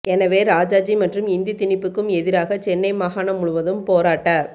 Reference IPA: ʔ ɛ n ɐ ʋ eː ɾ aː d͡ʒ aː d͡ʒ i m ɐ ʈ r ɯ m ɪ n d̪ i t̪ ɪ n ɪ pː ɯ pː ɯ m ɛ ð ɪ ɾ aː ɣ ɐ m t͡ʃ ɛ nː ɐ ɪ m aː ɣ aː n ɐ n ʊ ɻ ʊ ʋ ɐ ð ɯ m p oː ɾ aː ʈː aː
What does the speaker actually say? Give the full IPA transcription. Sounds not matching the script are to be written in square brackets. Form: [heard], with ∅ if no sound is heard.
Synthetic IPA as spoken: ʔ ɛ n ɐ ʋ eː ɾ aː d͡ʒ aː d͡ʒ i m ɐ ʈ r ɯ m ɪ n d̪ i t̪ ɪ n ɪ pː ɯ [kː] ɯ m ɛ ð ɪ ɾ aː ɣ ɐ [∅] t͡ʃ ɛ nː ɐ ɪ m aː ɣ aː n ɐ [m] ʊ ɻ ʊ ʋ ɐ ð ɯ m p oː ɾ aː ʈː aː

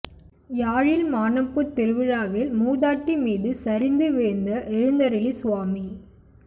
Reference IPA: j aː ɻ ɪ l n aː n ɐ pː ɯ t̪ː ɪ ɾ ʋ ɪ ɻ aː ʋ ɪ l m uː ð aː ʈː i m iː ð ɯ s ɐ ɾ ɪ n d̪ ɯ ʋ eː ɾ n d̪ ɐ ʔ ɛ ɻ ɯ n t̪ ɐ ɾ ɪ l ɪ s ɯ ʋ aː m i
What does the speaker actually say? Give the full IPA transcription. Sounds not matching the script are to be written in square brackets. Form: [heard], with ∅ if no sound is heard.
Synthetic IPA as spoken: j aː ɻ ɪ l [m] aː n ɐ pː ɯ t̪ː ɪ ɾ ʋ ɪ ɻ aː ʋ ɪ l m uː ð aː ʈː i m iː ð ɯ s ɐ ɾ ɪ n d̪ ɯ ʋ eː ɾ n d̪ ɐ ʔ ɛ ɻ ɯ n [d̪] ɐ ɾ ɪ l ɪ s [ʊ] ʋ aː m i

